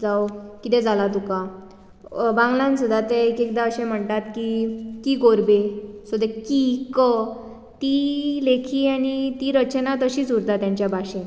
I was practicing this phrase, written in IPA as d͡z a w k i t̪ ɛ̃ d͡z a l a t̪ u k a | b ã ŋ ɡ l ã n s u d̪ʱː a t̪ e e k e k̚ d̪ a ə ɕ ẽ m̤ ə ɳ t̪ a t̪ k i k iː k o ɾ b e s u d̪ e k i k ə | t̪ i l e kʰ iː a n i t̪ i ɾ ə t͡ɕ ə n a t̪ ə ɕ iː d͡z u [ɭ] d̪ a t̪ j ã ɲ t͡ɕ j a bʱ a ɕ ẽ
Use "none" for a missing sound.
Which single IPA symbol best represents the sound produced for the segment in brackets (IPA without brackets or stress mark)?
ɾ